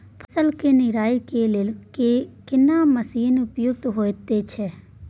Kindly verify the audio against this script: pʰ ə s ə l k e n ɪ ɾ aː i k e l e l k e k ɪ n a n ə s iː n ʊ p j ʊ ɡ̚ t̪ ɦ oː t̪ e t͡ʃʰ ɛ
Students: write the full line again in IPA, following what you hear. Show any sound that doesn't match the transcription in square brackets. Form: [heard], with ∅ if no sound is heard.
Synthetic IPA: pʰ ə s ə l k e n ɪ ɾ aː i k e l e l k e k ɪ n a [m] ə s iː n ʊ p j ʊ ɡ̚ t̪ ɦ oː t̪ e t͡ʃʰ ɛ